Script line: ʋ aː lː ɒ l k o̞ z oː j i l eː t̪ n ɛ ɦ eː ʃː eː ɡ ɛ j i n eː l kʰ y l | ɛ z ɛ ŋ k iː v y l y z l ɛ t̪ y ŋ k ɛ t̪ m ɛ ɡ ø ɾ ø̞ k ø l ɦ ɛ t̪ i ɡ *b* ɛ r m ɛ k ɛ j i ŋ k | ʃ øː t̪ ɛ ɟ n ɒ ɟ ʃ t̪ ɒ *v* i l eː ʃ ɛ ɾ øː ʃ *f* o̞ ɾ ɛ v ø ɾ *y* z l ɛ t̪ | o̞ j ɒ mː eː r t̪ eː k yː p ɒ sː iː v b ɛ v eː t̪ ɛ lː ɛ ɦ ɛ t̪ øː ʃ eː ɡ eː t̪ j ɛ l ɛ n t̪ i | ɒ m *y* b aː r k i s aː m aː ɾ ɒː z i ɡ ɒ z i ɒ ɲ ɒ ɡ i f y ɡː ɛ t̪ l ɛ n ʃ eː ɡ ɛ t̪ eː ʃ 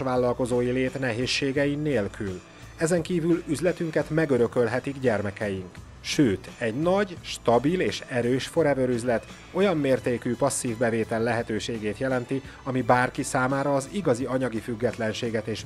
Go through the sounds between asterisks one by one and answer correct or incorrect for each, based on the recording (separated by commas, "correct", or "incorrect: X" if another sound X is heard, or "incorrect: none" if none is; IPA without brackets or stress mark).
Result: incorrect: ɟ, incorrect: b, correct, correct, incorrect: i